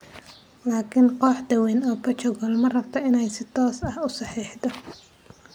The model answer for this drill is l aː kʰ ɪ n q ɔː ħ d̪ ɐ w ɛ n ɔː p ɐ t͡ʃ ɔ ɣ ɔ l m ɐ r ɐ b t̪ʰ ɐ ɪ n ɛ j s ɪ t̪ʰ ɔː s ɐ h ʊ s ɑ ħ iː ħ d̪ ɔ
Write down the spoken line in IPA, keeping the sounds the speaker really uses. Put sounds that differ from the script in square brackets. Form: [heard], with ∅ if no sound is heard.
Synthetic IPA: l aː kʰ ɪ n q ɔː ħ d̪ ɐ w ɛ n ɔː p ɐ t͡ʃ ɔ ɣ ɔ l m ɐ r ɐ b t̪ʰ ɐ ɪ n ɛ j s ɪ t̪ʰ ɔː s ɐ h ʊ s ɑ ħ iː ħ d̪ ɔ